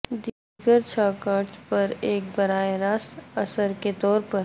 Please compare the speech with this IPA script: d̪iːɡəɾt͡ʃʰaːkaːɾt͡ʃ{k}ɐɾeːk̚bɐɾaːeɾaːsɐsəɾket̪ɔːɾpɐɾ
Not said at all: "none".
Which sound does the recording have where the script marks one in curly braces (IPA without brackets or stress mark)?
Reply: p